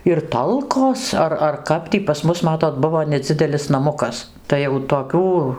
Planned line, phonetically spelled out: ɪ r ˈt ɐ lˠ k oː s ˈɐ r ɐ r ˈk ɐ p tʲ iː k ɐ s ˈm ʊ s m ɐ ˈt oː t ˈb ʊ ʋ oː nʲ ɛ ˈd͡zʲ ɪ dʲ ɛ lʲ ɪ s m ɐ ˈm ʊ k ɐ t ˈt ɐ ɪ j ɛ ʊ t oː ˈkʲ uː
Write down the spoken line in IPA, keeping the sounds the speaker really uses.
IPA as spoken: ɪ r ˈt ɐ lˠ k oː s ˈɐ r ɐ r ˈk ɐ p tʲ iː p ɐ s ˈm ʊ s m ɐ ˈt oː t ˈb ʊ ʋ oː nʲ ɛ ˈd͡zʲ ɪ dʲ ɛ lʲ ɪ s n ɐ ˈm ʊ k ɐ s ˈt ɐ ɪ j ɛ ʊ t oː ˈkʲ uː